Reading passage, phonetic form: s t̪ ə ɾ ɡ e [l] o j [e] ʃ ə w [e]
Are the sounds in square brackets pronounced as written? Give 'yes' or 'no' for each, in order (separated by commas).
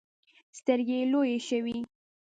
yes, yes, no